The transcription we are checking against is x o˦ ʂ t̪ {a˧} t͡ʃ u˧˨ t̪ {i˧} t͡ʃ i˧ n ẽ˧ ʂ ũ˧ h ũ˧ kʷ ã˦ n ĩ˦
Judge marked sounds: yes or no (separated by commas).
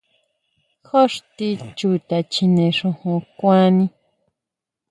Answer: no, no